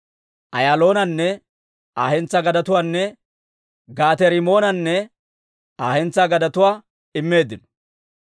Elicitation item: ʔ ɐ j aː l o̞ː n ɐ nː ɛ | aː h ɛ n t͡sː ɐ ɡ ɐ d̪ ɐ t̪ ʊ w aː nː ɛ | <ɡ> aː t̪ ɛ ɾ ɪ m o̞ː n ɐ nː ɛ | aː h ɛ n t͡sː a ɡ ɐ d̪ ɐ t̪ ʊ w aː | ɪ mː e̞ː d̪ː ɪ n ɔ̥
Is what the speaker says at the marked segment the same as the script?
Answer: yes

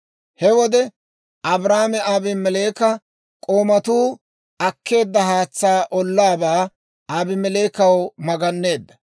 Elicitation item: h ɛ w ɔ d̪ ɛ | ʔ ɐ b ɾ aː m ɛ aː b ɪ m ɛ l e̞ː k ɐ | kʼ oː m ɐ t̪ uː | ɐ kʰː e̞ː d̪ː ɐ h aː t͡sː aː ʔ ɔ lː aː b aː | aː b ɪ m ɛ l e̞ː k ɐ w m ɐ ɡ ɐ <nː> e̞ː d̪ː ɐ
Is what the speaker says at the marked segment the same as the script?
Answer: yes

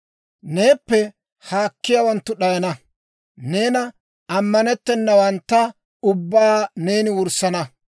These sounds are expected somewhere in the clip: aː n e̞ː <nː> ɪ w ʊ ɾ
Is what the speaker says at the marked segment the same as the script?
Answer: no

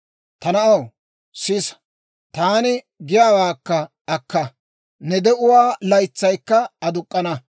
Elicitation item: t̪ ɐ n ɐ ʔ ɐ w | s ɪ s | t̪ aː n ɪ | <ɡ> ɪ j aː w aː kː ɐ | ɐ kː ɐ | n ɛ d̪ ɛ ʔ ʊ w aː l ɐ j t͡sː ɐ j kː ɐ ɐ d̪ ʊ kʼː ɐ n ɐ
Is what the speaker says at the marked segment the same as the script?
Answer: yes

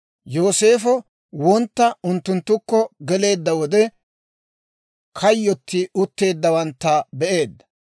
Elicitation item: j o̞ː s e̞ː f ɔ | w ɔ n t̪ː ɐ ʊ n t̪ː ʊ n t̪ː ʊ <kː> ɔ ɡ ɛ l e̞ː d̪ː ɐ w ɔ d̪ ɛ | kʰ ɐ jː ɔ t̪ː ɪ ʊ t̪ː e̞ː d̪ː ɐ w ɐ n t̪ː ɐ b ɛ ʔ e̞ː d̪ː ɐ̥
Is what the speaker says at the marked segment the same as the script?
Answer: yes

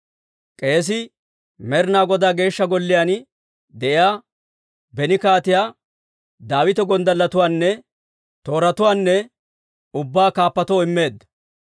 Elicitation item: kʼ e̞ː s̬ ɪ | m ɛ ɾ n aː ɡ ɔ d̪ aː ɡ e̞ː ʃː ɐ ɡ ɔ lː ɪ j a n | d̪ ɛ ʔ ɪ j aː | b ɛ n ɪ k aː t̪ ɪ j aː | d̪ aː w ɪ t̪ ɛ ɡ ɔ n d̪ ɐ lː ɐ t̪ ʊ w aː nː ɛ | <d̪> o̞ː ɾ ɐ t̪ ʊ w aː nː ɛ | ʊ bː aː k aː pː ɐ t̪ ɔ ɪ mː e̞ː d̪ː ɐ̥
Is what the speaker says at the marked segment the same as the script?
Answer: no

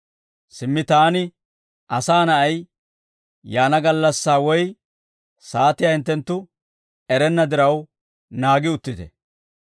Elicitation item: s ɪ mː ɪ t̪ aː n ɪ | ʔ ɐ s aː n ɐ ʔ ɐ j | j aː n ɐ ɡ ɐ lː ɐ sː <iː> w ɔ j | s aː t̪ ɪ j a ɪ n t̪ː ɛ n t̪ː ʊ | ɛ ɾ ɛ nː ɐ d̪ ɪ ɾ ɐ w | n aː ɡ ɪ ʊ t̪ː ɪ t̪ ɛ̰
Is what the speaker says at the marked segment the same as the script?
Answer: no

